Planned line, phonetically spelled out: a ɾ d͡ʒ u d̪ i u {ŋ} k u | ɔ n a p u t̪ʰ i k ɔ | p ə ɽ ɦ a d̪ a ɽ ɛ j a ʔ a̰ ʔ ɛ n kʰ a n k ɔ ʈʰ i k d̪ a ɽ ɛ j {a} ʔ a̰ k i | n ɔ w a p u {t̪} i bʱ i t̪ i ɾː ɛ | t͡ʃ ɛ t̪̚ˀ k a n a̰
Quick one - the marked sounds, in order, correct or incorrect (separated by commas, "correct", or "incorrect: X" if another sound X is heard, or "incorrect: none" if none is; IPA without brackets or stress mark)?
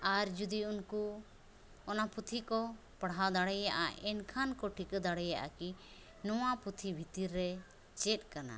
incorrect: n, correct, incorrect: t̪ʰ